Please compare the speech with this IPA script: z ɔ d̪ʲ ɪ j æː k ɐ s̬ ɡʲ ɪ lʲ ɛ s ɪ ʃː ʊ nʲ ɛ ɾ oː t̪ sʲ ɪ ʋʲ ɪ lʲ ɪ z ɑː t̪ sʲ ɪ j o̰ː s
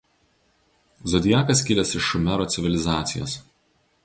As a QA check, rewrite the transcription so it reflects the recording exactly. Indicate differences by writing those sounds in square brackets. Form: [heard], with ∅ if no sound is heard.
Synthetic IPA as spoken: z ɔ d̪ʲ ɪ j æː k ɐ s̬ [kʲ] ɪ lʲ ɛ s ɪ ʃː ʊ [mʲ] ɛ ɾ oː t̪ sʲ ɪ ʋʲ ɪ lʲ ɪ z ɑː t̪ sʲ ɪ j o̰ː s